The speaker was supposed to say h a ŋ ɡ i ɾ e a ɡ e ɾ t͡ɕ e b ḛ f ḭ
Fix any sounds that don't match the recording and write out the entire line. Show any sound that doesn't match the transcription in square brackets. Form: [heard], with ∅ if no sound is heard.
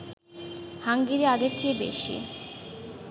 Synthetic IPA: h a ŋ ɡ i ɾ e a ɡ e ɾ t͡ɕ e b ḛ [ʃ] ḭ